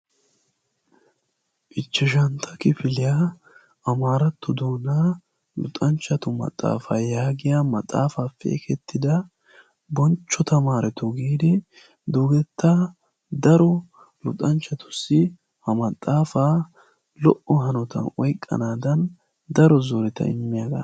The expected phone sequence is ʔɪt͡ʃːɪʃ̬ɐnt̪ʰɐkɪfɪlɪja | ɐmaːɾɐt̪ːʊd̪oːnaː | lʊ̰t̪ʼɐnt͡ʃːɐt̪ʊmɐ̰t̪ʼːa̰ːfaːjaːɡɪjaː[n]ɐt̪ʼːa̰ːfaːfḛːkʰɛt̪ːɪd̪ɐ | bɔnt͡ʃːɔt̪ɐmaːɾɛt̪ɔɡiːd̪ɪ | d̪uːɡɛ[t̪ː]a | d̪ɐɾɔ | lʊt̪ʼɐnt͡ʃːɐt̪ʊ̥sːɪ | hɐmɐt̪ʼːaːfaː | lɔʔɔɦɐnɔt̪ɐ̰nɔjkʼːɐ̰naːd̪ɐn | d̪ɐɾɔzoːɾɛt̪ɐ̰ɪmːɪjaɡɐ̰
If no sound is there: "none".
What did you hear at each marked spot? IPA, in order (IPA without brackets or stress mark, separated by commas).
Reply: m, t̪ː